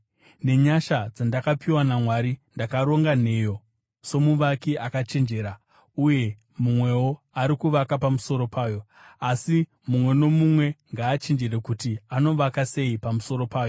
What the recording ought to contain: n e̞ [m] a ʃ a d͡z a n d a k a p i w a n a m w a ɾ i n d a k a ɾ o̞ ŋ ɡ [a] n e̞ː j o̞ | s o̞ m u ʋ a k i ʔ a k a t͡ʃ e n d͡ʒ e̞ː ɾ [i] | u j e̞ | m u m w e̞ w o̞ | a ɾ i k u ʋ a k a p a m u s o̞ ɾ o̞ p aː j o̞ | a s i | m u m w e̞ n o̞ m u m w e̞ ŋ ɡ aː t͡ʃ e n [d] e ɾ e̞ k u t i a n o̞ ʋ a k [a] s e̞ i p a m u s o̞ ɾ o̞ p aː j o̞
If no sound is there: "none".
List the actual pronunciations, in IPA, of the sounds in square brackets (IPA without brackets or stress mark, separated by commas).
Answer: ɲ, a, a, d͡ʒ, a